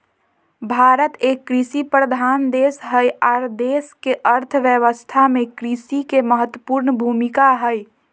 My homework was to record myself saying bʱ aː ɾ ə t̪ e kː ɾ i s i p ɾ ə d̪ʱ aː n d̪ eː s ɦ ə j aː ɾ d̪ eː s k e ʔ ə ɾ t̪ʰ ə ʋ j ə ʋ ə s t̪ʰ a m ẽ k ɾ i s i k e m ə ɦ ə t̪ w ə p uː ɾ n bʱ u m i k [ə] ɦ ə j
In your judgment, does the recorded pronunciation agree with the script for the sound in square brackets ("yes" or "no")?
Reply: no